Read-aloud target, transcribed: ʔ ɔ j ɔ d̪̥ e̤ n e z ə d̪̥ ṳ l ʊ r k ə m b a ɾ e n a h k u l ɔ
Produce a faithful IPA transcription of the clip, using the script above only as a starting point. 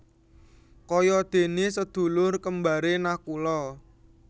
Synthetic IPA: k ɔ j ɔ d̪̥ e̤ n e s ə d̪̥ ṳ l ʊ r k ə m b a ɾ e n a h k u l ɔ